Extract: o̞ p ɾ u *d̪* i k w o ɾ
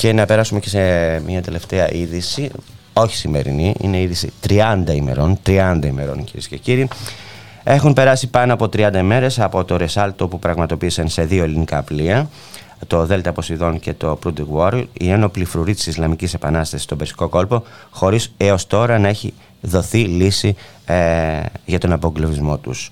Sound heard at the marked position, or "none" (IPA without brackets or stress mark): d̪